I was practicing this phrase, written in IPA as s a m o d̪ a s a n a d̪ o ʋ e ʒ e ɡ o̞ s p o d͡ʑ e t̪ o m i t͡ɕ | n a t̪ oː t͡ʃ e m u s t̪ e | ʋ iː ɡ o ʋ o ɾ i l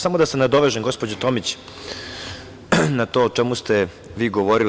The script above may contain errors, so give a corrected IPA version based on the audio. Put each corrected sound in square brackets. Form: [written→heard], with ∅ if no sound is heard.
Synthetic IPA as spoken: s a m o d̪ a s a n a d̪ o ʋ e ʒ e ɡ o̞ s p o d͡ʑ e t̪ o m i t͡ɕ | n a t̪ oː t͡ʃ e m u s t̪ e | ʋ iː ɡ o ʋ o ɾ i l